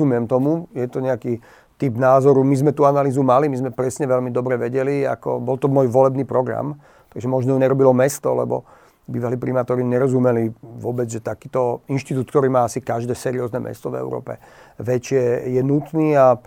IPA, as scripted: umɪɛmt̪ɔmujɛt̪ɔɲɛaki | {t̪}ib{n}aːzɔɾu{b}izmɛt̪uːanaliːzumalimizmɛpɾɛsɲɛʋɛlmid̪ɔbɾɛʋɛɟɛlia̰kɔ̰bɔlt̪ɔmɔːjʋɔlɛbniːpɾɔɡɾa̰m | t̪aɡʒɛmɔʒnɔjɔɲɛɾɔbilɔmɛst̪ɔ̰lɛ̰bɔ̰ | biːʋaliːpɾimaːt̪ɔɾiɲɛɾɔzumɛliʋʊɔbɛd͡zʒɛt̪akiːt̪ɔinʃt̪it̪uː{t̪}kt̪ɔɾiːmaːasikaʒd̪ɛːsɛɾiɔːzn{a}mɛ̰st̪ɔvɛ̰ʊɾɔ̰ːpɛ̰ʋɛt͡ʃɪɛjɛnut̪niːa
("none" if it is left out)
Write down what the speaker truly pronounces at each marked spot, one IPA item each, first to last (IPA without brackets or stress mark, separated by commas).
t̪, n, m, t̪, ɛ